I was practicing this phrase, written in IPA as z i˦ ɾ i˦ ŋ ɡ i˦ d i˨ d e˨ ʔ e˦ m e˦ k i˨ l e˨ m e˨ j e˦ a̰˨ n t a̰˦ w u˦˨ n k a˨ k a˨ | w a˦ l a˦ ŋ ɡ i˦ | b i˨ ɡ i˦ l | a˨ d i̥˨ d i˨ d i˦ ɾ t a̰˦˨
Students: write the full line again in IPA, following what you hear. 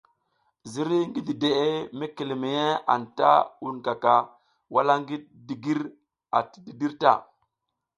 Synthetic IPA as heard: z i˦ ɾ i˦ ŋ ɡ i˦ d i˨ d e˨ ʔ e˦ m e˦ k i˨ l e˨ m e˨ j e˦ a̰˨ n t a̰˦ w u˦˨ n k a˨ k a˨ | w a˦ l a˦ ŋ ɡ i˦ | d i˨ ɡ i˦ ɾ | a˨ t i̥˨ d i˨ d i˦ ɾ t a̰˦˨